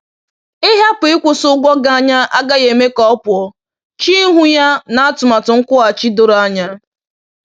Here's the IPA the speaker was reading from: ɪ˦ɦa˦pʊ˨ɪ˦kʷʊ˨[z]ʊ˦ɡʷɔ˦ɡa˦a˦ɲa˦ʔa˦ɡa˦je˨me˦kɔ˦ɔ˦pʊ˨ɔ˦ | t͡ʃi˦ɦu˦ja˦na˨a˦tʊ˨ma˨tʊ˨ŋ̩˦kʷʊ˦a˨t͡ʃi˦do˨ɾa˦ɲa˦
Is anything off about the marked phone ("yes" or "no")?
yes